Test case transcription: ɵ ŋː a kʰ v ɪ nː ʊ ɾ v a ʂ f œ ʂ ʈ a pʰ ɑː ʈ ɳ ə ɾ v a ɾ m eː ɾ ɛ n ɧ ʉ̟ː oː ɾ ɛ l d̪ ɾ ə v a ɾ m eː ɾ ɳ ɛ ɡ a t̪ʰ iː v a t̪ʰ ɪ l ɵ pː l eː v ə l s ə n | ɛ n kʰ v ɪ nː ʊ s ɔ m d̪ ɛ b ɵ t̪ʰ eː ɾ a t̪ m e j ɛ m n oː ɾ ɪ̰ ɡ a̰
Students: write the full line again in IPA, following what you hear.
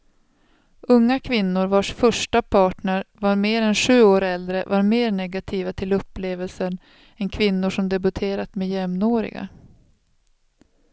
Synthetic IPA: ɵ ŋː a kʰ v ɪ nː ʊ ɾ v a ʂ f œ ʂ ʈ a pʰ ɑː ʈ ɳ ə ɾ v a ɾ m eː ɾ ɛ n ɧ ʉ̟ː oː ɾ ɛ l d̪ ɾ ə v a ɾ m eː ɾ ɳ ɛ ɡ a t̪ʰ iː v a t̪ʰ ɪ l ɵ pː l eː v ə l s ə n | ɛ n kʰ v ɪ nː ʊ ʂ ɔ m d̪ ɛ b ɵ t̪ʰ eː ɾ a t̪ m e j ɛ m n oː ɾ ɪ̰ ɡ a̰